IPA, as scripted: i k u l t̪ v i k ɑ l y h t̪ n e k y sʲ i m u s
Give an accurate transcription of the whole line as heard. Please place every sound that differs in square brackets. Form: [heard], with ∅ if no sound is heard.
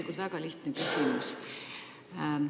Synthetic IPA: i k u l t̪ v [æ] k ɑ l [i] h t̪ n e k y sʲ i m u s